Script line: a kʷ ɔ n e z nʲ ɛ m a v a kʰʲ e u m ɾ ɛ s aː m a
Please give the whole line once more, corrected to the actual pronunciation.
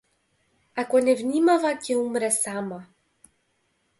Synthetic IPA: a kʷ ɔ n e v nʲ i m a v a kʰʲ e u m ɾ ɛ s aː m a